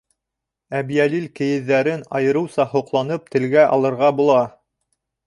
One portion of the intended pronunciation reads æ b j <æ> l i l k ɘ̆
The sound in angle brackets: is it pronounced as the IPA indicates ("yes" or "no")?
yes